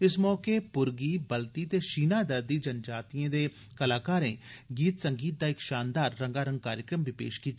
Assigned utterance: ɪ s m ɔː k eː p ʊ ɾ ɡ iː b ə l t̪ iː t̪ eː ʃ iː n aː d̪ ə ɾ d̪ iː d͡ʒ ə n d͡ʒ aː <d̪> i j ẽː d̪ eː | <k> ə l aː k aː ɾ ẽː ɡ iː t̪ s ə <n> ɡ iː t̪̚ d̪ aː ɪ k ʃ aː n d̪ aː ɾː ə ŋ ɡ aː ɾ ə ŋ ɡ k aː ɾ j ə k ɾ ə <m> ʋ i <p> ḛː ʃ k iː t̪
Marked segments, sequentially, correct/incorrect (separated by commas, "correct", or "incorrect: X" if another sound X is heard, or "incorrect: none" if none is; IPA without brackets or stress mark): incorrect: t̪, correct, incorrect: ŋ, correct, correct